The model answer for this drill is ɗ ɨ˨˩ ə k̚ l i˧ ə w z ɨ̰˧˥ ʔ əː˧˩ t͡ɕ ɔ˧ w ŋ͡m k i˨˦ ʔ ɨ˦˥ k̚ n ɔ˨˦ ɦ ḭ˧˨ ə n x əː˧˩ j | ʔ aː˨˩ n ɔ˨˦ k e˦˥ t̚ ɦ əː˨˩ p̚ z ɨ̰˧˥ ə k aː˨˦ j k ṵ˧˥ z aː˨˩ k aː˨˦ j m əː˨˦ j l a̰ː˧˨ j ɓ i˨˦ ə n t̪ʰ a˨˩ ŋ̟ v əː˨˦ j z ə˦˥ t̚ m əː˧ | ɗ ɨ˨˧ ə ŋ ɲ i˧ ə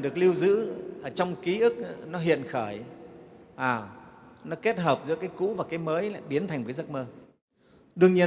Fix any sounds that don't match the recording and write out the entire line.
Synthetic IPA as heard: ɗ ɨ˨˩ ə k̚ l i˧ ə w z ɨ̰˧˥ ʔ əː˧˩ t͡ɕ ɔ˧ w ŋ͡m k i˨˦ ʔ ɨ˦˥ k̚ n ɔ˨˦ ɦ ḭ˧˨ ə n x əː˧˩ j | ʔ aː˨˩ n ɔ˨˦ k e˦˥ t̚ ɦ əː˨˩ p̚ z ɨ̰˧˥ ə k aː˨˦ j k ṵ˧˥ v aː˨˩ k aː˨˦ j m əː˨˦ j l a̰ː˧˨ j ɓ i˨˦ ə n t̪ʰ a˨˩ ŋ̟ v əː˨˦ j z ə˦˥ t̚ m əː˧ | ɗ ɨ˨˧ ə ŋ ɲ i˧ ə